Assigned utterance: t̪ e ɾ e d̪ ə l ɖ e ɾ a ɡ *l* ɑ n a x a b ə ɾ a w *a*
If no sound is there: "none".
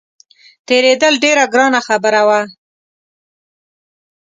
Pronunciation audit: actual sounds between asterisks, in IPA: ɾ, a

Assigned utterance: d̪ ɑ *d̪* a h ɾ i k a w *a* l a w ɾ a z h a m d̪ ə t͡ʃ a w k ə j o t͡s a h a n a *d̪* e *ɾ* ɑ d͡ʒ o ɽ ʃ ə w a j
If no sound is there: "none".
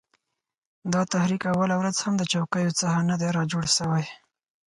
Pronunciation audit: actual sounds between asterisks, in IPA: t̪, a, d̪, ɾ

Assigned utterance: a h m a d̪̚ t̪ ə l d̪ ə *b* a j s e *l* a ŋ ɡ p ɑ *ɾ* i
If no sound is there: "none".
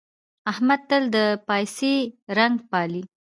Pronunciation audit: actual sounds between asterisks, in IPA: p, ɾ, l

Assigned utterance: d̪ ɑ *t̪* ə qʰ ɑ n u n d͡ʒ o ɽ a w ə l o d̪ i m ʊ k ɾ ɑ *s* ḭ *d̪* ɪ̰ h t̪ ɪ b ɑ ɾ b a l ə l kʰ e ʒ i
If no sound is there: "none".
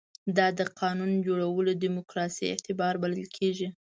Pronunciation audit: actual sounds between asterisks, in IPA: d̪, s, none

